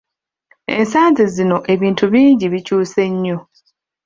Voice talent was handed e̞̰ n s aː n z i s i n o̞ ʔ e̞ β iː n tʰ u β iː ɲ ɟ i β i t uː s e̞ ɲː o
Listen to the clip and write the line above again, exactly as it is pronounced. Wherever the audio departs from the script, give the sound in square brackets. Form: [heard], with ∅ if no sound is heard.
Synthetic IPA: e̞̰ n s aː n z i [z] i n o̞ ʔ e̞ β iː n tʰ u β iː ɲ ɟ i β i [c] uː s e̞ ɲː o